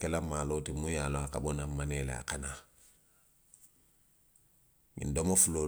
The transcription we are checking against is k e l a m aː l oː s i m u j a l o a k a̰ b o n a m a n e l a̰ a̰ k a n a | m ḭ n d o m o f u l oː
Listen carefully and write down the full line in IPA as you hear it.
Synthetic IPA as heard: k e l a m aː l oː t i m u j a l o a k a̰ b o n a m a n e l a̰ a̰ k a n a | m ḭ n d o m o f u l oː